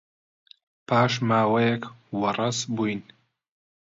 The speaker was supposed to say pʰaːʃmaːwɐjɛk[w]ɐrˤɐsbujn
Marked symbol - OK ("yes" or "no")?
yes